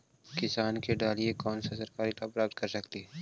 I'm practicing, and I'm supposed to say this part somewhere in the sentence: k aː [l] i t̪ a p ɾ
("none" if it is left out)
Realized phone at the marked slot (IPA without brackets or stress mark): ɾ